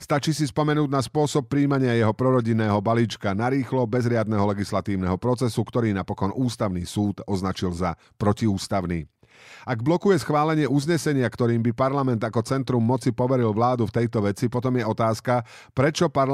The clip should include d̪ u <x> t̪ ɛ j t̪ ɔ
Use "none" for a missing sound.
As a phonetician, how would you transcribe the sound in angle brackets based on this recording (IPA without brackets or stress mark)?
f